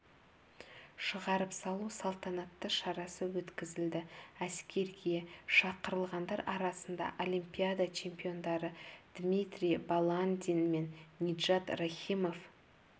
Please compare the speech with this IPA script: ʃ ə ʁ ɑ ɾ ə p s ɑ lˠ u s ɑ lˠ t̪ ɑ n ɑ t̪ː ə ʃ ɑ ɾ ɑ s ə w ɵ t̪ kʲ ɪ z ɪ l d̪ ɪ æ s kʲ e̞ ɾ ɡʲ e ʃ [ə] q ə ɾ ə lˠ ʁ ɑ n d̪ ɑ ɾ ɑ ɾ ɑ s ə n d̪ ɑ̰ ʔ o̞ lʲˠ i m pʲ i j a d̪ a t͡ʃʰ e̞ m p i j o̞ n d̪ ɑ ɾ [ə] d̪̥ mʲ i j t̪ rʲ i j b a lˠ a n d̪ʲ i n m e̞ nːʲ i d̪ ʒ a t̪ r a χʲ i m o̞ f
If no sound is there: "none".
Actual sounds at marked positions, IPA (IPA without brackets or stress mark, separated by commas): ɑ, ə